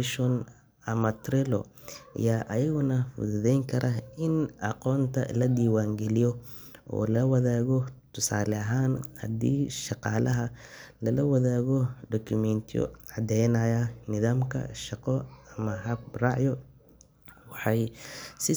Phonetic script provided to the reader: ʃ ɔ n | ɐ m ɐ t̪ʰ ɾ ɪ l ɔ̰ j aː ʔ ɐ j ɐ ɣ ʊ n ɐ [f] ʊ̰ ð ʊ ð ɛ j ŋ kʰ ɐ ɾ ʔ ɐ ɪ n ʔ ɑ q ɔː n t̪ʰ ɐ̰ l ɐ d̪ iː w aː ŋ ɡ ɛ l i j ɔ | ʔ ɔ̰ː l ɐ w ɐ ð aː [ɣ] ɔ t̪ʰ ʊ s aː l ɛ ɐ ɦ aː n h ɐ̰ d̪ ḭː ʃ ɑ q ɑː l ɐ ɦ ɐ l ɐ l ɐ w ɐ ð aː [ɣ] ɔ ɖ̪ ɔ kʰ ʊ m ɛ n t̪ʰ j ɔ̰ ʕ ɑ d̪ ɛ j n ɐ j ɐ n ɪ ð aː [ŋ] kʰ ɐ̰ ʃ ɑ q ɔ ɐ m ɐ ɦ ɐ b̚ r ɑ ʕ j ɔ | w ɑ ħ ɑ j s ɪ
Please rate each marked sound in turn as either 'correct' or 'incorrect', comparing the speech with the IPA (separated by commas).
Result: correct, correct, correct, incorrect